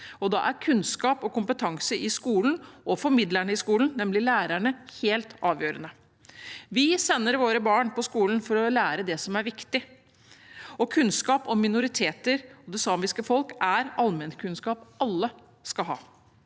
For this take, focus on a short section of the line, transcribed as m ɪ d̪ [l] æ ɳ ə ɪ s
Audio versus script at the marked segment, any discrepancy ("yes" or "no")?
no